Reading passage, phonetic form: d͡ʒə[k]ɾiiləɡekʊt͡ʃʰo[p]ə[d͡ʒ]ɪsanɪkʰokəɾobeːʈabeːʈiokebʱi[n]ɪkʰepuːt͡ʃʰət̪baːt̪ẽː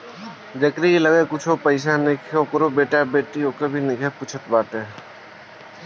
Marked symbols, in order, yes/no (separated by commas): yes, yes, no, yes